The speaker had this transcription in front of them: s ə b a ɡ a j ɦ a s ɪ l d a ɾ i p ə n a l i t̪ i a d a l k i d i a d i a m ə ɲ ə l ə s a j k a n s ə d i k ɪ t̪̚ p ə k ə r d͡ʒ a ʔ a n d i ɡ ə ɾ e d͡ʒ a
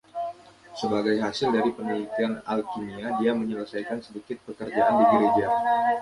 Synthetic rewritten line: s ə b a ɡ a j ɦ a s ɪ l d a ɾ i p ə n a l i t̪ i a n a l k i n i a d i a m ə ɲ ə l ə s a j k a n s ə d i k ɪ t̪̚ p ə k ə r d͡ʒ a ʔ a n d i ɡ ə ɾ e d͡ʒ a